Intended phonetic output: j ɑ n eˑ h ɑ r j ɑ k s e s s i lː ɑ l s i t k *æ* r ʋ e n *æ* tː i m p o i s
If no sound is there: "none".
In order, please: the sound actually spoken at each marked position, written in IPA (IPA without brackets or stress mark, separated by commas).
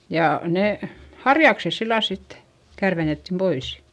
æ, e